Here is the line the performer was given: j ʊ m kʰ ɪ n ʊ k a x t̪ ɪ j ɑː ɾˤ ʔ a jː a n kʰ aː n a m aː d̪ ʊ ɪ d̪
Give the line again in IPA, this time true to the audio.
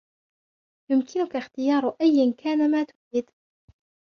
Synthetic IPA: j ʊ m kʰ ɪ n ʊ k a x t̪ ɪ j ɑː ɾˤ ʔ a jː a n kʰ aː n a m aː t̪ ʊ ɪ d̪